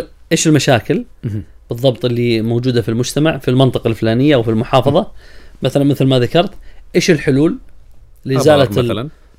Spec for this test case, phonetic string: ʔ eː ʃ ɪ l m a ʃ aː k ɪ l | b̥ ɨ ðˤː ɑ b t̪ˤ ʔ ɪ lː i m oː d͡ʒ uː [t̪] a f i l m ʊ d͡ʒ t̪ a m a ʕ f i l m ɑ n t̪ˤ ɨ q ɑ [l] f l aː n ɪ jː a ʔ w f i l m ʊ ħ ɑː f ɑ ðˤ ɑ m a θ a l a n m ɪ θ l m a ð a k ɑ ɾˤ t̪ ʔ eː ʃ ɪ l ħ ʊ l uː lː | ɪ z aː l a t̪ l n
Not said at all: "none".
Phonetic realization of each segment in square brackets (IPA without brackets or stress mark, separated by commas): d̪, l